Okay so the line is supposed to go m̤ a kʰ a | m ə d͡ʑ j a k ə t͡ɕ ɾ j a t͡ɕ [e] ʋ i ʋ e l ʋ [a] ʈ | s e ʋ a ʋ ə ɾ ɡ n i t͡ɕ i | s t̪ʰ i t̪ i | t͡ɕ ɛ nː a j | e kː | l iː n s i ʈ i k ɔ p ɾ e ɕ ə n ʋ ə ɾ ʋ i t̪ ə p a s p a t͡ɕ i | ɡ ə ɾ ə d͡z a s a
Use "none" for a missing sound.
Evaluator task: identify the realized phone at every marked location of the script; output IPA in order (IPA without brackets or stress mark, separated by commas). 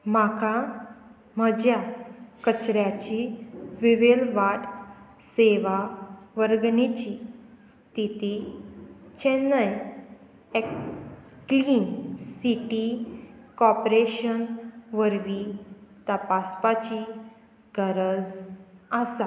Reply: i, a